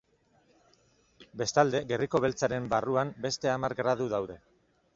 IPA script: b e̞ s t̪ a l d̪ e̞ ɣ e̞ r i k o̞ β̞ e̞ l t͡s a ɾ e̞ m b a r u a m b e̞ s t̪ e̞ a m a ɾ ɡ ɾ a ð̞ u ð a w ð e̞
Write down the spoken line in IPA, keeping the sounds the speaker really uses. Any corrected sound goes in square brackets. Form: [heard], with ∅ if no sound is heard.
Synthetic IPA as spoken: b e̞ s t̪ a l d̪ e̞ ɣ e̞ r i k o̞ β̞ e̞ l t͡s a ɾ e̞ m b a r u a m b e̞ s t̪ e̞ a m a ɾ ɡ ɾ a ð̞ u ð a w ð e̞